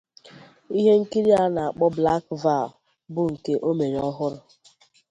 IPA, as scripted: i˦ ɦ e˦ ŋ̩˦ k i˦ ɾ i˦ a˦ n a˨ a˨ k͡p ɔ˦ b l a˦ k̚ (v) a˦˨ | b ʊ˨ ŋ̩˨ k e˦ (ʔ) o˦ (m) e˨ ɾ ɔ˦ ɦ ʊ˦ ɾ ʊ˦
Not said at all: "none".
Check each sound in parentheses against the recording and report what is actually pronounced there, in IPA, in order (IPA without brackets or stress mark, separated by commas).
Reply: v, ʔ, m